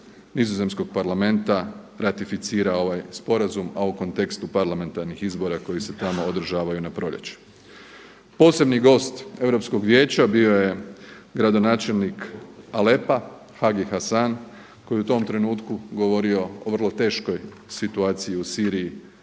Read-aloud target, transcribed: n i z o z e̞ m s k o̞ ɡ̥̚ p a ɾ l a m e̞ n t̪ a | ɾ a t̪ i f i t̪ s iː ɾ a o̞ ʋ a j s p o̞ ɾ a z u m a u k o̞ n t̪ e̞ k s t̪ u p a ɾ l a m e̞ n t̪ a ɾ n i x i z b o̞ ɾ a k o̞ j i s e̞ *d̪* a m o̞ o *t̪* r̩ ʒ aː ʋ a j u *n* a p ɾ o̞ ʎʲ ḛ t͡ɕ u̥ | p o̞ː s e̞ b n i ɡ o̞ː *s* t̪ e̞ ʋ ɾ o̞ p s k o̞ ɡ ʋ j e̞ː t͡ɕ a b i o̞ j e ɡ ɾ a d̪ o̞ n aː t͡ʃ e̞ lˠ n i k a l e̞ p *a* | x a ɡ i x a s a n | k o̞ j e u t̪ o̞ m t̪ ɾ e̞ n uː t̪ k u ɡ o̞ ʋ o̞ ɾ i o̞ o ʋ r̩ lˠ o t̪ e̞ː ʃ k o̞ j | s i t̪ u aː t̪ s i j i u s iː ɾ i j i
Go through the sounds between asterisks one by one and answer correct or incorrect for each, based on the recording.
incorrect, incorrect, correct, correct, correct

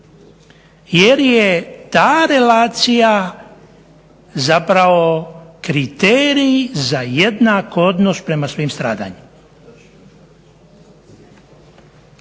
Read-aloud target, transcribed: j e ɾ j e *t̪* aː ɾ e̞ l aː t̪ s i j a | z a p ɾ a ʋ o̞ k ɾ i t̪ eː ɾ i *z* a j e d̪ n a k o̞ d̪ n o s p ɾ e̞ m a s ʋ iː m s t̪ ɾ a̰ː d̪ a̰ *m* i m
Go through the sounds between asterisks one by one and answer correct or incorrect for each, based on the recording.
correct, correct, incorrect

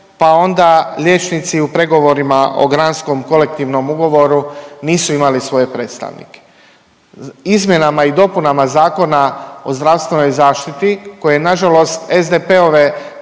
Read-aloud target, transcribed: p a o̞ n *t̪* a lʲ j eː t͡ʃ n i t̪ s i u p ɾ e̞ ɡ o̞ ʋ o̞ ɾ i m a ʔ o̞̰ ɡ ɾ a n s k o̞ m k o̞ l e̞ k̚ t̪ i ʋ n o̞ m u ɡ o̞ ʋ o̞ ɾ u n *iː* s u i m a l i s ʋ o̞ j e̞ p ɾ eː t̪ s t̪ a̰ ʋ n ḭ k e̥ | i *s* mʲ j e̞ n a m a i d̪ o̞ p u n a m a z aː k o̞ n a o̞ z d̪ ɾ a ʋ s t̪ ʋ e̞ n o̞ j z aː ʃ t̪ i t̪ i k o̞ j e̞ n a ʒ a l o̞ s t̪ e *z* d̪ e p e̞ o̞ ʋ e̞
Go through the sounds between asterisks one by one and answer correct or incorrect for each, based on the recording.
incorrect, correct, incorrect, correct

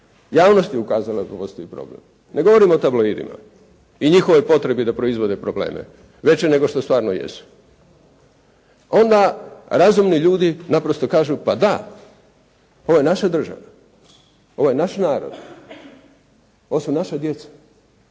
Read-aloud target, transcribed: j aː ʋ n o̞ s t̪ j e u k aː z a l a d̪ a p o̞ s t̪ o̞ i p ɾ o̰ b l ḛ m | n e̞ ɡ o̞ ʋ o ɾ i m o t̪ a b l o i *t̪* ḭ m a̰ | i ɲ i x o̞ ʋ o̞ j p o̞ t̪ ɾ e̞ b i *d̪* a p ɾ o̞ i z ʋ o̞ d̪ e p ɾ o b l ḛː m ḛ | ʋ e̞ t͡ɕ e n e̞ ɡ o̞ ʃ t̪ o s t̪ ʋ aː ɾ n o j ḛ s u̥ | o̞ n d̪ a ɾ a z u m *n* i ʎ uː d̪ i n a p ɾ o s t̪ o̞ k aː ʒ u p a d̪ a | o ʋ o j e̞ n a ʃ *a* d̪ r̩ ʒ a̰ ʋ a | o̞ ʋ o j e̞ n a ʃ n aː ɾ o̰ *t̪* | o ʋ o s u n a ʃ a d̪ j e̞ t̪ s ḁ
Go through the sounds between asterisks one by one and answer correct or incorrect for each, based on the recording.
incorrect, correct, correct, correct, incorrect

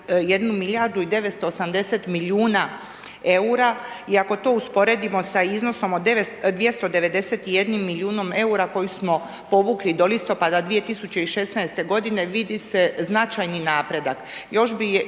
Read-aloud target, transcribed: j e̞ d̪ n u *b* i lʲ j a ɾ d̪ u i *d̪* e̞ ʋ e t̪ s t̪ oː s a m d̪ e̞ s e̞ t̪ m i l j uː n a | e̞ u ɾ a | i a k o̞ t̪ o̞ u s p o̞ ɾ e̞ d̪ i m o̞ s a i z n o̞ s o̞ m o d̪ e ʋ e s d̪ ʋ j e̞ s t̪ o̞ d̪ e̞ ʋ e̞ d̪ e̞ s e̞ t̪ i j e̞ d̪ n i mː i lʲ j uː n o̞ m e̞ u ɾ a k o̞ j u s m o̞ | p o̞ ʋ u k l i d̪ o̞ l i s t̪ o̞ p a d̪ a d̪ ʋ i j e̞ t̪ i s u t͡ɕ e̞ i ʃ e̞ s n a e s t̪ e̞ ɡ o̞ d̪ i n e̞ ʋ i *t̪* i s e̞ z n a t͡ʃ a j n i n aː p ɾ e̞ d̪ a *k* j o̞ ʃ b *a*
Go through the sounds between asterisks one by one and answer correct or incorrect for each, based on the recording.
incorrect, correct, incorrect, correct, incorrect

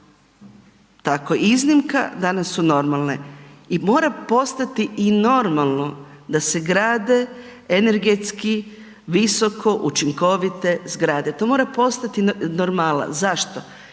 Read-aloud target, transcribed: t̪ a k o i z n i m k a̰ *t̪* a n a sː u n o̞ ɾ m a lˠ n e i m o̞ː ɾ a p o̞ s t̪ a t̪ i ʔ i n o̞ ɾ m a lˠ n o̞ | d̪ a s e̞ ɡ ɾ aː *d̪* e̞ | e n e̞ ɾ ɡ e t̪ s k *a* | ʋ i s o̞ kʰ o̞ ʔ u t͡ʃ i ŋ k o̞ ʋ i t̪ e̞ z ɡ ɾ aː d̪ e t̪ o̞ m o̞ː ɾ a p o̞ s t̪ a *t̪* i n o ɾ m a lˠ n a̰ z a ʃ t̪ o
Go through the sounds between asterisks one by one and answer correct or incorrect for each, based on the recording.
incorrect, correct, incorrect, correct

